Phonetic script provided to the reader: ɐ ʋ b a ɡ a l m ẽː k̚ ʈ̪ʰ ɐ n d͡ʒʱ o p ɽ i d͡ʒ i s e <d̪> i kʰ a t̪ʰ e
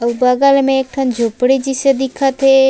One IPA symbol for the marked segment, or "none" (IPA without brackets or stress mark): d̪